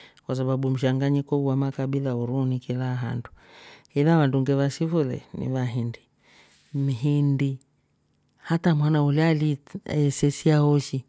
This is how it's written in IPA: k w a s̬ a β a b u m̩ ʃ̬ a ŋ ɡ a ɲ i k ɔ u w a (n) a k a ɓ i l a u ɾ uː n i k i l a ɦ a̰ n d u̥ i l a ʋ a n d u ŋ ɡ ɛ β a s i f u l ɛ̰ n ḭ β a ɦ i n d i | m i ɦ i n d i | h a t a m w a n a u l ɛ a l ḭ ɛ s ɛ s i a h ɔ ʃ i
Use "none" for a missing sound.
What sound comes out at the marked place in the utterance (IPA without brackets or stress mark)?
m